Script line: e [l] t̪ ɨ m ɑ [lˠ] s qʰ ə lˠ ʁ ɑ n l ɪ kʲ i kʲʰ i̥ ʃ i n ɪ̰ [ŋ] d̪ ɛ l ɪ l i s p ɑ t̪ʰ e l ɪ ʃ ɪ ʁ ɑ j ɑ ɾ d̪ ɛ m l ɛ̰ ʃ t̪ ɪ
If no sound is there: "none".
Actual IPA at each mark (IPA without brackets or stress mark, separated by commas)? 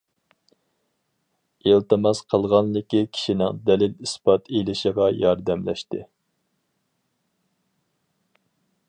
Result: l, none, ŋ